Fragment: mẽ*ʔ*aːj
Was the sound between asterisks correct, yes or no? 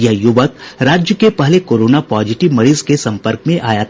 yes